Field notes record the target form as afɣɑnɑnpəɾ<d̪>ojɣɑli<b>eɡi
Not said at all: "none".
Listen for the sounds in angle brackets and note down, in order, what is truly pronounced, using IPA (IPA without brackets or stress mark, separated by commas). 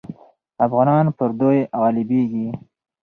d̪, b